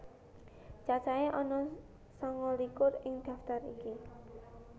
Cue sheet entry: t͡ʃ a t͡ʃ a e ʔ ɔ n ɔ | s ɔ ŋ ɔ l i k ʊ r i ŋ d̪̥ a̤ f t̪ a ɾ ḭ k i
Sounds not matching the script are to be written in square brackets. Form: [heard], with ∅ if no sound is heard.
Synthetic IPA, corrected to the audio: t͡ʃ a t͡ʃ a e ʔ ɔ n ɔ | s ɔ ŋ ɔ l i k ʊ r [ɪ] ŋ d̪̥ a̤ f t̪ a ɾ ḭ k i